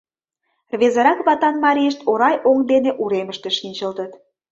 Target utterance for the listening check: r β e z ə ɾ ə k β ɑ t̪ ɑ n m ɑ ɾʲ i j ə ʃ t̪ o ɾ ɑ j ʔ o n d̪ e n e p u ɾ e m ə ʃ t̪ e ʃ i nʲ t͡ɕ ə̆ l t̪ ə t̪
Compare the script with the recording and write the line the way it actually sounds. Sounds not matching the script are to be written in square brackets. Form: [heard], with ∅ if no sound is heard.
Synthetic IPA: r β e z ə ɾ [ɑ] k β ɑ t̪ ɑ n m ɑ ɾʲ i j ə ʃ t̪ o ɾ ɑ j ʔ o [ŋ] d̪ e n e [ʔ] u ɾ e m ə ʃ t̪ e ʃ i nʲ t͡ɕ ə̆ l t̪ ə t̪